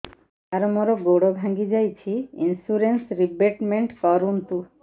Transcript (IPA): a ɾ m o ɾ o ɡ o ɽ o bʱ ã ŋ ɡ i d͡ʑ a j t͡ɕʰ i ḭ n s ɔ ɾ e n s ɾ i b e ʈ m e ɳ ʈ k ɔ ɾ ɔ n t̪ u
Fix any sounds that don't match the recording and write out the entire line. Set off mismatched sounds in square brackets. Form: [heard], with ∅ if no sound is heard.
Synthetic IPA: a ɾ m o ɾ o ɡ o ɽ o bʱ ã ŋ ɡ i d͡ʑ a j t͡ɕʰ i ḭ n s [u] ɾ e n s ɾ i b e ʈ m e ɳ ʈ k ɔ ɾ [u] n t̪ u